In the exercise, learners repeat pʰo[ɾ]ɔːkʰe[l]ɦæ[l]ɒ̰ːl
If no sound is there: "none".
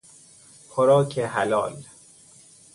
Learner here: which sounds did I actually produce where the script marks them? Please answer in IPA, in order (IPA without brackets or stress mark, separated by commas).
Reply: ɾ, none, l